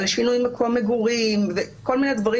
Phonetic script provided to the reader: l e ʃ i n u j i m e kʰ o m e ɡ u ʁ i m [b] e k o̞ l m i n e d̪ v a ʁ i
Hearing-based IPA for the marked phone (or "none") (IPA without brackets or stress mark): v